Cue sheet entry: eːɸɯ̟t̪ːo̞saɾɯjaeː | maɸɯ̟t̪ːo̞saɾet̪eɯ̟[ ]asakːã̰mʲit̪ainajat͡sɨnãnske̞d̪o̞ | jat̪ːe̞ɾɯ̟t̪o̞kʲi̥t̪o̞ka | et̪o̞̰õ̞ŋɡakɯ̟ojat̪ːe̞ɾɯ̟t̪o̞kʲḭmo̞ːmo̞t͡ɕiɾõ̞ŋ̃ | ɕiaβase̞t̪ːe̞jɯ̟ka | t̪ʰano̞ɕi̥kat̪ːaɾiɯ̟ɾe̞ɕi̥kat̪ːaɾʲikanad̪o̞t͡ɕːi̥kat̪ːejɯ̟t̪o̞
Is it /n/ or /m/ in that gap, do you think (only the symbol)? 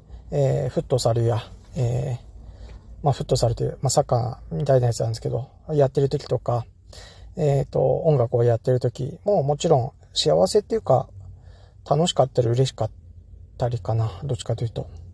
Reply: m